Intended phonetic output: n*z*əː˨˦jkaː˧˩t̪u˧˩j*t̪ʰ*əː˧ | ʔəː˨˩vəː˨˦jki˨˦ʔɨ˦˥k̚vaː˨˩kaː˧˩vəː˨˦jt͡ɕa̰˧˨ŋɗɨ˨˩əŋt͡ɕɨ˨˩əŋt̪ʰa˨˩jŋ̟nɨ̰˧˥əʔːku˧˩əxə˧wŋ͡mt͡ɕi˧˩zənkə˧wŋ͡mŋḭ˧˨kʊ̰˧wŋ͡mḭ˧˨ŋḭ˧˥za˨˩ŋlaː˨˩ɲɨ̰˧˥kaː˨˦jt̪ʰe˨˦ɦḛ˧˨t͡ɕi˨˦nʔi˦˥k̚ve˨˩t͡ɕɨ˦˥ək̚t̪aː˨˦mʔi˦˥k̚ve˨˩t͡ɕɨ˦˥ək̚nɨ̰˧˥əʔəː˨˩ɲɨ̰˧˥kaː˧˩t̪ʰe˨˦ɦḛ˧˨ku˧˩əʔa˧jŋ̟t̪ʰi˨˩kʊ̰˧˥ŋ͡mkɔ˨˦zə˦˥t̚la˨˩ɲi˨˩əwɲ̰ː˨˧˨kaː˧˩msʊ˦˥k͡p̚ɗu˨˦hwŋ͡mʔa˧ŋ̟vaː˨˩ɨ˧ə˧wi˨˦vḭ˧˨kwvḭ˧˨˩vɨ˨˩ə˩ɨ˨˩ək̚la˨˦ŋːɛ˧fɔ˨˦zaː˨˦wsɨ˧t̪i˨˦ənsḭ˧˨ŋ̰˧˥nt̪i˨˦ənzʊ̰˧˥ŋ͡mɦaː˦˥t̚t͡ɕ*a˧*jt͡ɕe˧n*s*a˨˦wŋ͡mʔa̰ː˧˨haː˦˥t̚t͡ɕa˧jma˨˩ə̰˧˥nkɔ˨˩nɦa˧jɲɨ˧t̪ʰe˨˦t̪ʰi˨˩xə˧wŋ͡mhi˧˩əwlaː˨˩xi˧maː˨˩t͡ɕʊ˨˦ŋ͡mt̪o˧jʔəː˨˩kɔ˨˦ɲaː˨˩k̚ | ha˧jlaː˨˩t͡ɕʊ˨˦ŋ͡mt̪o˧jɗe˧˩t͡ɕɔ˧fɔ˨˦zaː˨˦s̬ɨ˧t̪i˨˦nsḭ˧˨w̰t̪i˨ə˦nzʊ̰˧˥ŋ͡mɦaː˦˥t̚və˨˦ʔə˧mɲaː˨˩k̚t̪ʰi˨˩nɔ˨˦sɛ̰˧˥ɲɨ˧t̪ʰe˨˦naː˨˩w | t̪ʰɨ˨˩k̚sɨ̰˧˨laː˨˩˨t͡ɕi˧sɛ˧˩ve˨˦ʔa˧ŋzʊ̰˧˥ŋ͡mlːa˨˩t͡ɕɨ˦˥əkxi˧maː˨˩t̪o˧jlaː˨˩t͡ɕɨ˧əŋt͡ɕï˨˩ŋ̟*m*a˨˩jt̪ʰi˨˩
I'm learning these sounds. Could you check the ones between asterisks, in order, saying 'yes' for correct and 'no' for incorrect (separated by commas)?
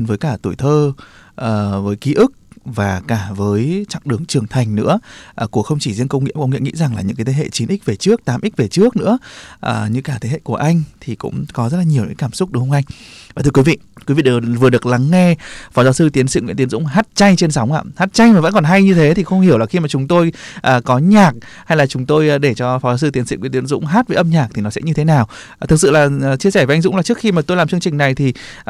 no, yes, yes, yes, no